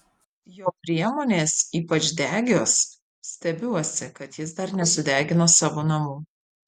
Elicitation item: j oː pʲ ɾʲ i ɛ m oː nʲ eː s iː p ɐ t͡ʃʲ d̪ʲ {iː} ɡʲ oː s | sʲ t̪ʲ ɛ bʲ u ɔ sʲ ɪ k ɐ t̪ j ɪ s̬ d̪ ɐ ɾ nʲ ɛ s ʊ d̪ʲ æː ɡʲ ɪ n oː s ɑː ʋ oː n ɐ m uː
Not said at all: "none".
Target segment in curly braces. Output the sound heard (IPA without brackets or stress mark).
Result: æː